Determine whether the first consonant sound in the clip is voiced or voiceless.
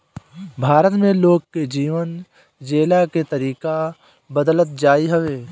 voiced